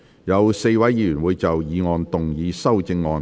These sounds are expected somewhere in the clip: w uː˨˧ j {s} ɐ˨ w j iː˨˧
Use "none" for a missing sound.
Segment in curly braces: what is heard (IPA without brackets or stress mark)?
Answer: t͡s